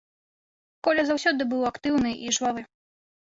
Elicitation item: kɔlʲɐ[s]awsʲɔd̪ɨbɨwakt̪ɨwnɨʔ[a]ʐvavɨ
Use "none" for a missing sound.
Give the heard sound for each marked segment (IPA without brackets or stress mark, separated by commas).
z, i